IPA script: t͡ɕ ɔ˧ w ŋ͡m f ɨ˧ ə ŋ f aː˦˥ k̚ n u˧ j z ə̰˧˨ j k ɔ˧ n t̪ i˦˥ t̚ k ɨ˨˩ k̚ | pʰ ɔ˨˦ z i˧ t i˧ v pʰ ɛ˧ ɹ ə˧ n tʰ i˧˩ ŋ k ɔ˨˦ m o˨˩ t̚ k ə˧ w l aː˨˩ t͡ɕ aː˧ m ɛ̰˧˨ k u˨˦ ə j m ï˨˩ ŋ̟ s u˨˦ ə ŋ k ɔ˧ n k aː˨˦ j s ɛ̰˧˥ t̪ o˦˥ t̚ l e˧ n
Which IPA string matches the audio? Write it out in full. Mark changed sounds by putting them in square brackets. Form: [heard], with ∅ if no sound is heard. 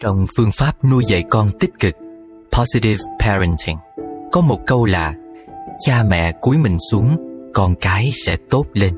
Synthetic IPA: t͡ɕ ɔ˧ w ŋ͡m f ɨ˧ ə ŋ f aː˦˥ [p̚] n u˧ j z ə̰˧˨ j k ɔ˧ n t̪ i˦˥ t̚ k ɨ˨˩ k̚ | pʰ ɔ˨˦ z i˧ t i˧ v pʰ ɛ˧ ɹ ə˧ n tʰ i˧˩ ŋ k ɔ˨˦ m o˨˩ t̚ k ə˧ w l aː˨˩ t͡ɕ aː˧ m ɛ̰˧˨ k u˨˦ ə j m ï˨˩ ŋ̟ s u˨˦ ə ŋ k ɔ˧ n k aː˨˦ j s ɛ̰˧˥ t̪ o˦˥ t̚ l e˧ n